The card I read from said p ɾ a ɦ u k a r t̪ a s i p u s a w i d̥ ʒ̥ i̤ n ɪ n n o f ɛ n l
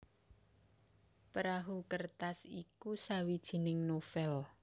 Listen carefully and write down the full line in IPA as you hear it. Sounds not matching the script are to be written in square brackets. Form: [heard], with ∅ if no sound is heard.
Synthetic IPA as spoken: p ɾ a ɦ u k [ə] r t̪ a s i [k] u s a w i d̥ ʒ̥ i̤ n ɪ [ŋ] n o f ɛ [∅] l